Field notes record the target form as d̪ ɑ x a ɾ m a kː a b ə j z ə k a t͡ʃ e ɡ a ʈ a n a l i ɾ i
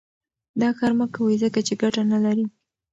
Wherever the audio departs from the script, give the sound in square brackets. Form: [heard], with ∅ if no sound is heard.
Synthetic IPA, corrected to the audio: d̪ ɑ x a ɾ m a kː a [w] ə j z ə k a t͡ʃ e ɡ a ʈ a n a l [a] ɾ i